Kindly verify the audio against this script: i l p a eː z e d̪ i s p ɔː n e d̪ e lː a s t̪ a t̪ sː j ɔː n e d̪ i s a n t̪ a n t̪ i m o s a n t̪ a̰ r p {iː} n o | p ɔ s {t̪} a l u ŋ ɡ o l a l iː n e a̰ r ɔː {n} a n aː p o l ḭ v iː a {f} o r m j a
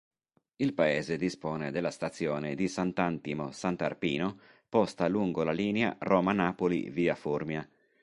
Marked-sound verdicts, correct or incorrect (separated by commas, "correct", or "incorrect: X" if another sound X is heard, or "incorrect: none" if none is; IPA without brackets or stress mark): correct, correct, incorrect: m, correct